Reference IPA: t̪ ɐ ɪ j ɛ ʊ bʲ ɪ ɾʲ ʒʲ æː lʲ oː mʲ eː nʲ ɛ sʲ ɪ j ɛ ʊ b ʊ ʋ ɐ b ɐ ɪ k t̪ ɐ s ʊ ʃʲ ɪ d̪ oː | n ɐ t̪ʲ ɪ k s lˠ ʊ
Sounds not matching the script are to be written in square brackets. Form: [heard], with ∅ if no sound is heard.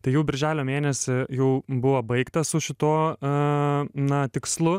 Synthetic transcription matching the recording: t̪ ɐ ɪ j ɛ ʊ bʲ ɪ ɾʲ ʒʲ æː lʲ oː mʲ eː nʲ ɛ sʲ ɪ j ɛ ʊ b ʊ ʋ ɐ b ɐ ɪ k t̪ ɐ s ʊ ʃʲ ɪ [t̪] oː | n ɐ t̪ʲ ɪ k s lˠ ʊ